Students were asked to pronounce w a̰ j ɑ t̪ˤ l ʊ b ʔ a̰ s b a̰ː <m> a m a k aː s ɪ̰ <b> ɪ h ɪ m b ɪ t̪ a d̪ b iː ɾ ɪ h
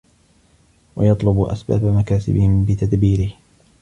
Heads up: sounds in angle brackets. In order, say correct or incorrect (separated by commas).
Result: incorrect, correct